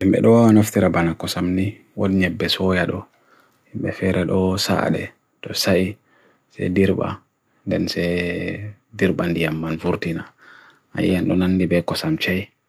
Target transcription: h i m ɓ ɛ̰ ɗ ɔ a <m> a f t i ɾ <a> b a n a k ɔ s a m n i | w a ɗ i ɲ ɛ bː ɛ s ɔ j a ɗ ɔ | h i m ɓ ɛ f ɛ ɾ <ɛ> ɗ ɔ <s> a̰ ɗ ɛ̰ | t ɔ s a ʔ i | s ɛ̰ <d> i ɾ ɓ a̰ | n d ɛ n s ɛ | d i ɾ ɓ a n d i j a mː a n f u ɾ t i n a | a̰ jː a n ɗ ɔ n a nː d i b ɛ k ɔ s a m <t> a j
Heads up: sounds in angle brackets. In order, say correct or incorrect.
incorrect, correct, correct, correct, correct, incorrect

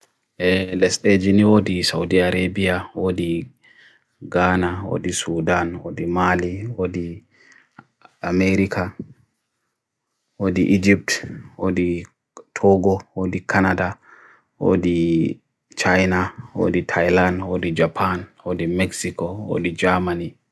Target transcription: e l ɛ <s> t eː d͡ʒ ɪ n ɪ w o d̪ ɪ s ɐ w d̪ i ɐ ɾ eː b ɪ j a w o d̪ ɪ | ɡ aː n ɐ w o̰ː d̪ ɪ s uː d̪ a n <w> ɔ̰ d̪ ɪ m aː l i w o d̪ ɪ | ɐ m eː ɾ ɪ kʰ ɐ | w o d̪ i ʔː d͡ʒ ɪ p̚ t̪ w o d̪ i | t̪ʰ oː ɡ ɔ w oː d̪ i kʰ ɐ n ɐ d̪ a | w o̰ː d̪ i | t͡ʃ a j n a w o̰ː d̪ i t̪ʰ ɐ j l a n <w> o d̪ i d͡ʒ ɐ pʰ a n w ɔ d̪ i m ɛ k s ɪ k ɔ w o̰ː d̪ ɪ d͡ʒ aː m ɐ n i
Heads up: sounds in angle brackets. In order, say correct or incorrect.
correct, correct, correct

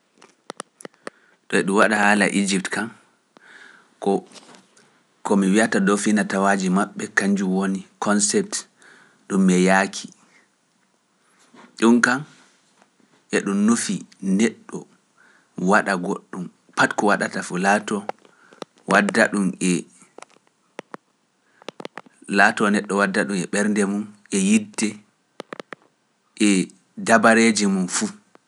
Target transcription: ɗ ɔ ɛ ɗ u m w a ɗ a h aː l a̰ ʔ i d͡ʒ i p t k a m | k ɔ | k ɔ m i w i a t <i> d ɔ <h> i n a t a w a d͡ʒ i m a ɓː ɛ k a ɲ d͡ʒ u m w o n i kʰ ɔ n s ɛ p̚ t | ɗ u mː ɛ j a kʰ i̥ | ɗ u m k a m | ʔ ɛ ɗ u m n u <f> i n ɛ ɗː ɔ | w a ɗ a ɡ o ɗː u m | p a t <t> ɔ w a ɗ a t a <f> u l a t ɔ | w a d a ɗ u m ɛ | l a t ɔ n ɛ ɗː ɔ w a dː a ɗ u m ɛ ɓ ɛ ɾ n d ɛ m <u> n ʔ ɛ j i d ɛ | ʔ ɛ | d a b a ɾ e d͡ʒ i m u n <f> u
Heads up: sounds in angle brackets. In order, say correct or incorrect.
incorrect, incorrect, correct, incorrect, correct, correct, correct

